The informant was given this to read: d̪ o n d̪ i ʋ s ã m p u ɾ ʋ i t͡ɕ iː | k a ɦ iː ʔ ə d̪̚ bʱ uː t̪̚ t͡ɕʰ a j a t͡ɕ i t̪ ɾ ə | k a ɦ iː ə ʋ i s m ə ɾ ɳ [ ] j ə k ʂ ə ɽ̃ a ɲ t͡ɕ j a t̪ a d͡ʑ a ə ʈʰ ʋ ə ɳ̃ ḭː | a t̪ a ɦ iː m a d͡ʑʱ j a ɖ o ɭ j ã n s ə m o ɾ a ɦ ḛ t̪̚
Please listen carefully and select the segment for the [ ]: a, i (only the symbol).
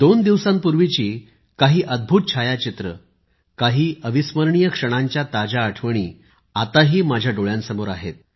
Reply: i